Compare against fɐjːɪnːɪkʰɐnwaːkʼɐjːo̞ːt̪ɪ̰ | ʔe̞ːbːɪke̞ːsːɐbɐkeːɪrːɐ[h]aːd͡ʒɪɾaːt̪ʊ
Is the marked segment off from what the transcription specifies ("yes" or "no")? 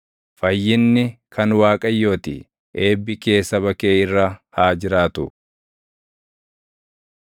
no